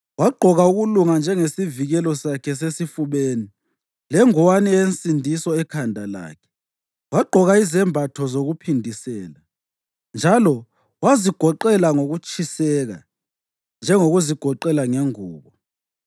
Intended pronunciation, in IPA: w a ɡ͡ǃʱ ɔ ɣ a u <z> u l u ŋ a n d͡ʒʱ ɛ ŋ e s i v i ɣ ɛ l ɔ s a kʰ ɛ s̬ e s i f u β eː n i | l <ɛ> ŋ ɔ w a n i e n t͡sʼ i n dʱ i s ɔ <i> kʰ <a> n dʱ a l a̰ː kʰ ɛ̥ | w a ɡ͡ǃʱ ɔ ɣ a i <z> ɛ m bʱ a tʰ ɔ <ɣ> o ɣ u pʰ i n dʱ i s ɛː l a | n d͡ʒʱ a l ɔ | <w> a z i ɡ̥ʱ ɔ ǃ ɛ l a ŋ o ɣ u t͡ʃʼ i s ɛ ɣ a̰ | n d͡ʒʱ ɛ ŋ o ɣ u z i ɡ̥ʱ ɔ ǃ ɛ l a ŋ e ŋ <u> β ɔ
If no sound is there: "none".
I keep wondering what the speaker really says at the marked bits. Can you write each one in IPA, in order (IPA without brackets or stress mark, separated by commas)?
ɣ, ɛ, ɛ, a, z, z, w, uː